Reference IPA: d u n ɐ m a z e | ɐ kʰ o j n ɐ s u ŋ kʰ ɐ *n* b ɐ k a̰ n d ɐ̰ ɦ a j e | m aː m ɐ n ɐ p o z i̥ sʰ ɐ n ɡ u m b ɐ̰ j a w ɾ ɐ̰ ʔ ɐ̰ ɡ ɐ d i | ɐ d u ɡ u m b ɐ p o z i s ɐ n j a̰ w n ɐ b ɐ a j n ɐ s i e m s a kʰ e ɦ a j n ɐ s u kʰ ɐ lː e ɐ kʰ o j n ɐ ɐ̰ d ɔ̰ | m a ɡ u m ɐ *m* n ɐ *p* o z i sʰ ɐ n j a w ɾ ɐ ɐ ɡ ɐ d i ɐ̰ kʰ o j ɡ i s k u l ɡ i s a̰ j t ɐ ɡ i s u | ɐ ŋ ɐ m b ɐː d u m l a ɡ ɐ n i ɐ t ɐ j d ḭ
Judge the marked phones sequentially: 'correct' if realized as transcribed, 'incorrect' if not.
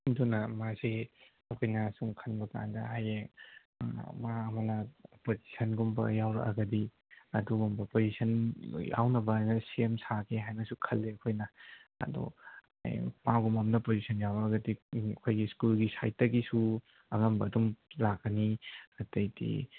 correct, correct, correct

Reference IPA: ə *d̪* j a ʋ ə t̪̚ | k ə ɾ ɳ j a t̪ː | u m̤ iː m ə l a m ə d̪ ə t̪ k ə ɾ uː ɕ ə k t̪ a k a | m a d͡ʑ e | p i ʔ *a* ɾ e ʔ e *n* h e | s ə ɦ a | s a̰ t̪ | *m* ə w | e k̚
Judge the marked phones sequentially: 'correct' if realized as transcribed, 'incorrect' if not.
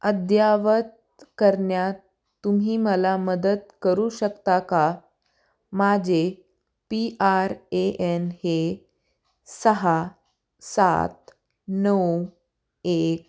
correct, correct, correct, incorrect: n

